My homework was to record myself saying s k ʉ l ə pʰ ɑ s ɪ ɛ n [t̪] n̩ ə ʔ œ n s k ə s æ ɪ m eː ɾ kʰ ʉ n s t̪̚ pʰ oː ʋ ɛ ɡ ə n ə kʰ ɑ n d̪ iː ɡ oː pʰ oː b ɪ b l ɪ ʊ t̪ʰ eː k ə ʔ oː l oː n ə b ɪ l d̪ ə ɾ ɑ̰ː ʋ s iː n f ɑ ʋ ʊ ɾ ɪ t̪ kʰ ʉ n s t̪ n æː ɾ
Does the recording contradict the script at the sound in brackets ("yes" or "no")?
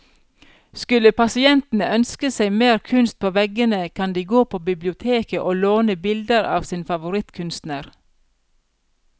no